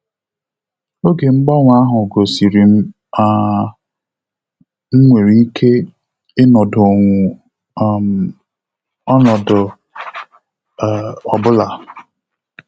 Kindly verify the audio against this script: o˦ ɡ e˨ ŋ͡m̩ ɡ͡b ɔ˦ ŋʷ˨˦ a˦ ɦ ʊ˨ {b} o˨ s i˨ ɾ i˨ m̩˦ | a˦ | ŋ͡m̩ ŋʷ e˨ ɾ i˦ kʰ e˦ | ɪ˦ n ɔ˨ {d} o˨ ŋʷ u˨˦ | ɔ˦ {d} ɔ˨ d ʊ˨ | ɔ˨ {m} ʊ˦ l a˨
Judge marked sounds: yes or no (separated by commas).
no, yes, no, no